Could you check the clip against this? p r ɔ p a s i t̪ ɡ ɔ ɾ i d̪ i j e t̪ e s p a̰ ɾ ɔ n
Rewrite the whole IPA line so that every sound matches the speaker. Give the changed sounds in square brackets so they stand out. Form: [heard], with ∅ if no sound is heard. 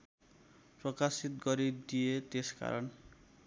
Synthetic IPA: p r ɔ [k] a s i t̪ ɡ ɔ ɾ i d̪ i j e t̪ e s [k] a̰ ɾ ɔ n

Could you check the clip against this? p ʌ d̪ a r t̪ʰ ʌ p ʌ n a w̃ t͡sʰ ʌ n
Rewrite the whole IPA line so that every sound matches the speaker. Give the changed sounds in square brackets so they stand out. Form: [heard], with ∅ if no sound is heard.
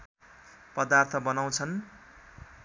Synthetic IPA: p ʌ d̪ a r t̪ʰ ʌ [b] ʌ n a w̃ t͡sʰ ʌ n

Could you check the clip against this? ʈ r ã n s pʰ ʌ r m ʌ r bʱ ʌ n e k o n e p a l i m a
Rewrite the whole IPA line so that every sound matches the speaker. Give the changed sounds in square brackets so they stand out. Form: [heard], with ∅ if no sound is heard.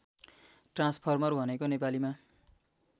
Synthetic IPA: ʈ r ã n s pʰ ʌ r m ʌ r bʱ ʌ n e k o n e p a l i m a

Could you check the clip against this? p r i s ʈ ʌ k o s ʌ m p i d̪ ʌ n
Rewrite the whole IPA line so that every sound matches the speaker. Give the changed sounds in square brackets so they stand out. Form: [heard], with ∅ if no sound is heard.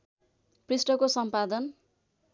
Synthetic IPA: p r i s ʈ ʌ k o s ʌ m p [a] d̪ ʌ n

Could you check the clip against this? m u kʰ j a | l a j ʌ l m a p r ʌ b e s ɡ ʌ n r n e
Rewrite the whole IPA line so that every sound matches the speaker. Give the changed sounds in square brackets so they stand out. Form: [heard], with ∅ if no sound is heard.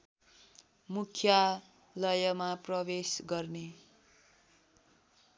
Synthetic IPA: m u kʰ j a | l [ʌ] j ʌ [∅] m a p r ʌ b e s ɡ ʌ [∅] r n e

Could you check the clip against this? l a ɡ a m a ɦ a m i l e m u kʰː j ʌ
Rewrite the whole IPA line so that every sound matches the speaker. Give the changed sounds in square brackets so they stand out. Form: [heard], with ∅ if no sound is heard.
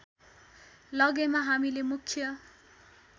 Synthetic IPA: l [ʌ] ɡ [e] m a ɦ a m i l e m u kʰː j ʌ

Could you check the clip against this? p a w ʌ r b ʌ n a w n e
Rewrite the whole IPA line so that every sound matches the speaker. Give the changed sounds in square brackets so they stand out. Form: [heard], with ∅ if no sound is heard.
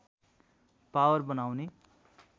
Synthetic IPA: p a w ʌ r b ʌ n a w n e

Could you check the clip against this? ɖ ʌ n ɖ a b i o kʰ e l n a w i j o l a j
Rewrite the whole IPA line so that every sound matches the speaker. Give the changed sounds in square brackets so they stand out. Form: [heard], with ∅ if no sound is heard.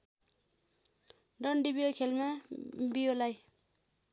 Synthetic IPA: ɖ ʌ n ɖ [i] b i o kʰ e l [m] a [b] i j o l a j

